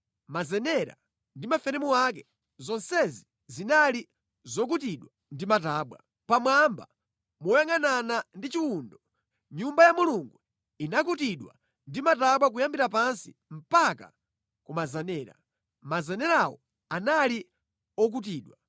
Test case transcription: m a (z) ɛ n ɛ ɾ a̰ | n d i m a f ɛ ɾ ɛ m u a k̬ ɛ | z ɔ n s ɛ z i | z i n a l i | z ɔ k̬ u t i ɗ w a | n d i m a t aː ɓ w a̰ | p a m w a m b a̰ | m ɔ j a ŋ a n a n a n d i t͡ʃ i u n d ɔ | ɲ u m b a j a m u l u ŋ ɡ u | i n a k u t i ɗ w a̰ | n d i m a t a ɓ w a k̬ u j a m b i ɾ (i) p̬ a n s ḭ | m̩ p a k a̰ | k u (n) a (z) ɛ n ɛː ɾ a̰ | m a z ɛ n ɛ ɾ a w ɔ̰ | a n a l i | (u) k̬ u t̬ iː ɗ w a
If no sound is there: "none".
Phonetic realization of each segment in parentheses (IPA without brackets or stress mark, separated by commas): z, a, m, z, ɔ